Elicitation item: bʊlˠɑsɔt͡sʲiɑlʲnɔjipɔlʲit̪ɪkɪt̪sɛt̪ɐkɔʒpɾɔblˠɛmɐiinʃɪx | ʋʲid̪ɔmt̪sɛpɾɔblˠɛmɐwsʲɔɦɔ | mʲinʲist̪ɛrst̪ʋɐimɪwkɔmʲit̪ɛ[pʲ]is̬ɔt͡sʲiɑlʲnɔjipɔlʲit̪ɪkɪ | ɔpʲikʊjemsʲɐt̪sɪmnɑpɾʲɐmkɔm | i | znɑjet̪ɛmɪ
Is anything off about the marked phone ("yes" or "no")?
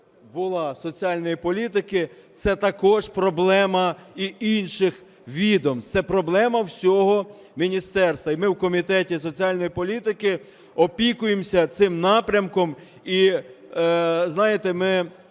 yes